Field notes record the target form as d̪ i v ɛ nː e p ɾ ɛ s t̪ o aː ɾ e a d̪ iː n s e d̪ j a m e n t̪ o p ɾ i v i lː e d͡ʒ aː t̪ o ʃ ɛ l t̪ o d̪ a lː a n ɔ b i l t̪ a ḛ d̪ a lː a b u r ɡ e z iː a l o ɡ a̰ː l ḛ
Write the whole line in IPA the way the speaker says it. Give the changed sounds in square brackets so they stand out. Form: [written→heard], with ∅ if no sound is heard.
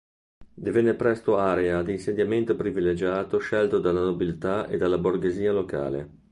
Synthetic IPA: d̪ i v ɛ nː e p ɾ ɛ s t̪ o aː ɾ e a d̪ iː n s e d̪ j a m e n t̪ o p ɾ i v i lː e d͡ʒ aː t̪ o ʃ ɛ l t̪ o d̪ a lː a n [ɔ→o] b i l t̪ a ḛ d̪ a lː a b [u→o] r ɡ e z iː a l o [ɡ→k] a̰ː l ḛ